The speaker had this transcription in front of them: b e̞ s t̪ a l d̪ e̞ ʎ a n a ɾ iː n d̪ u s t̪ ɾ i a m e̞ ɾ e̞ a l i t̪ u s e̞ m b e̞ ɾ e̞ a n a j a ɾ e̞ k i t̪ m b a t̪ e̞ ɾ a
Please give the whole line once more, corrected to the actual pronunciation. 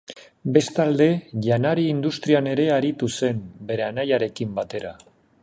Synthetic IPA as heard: b e̞ s t̪ a l d̪ e̞ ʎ a n a ɾ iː n d̪ u s t̪ ɾ i a n e̞ ɾ e̞ a ɾ i t̪ u s e̞ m b e̞ ɾ e̞ a n a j a ɾ e̞ k i m b a t̪ e̞ ɾ a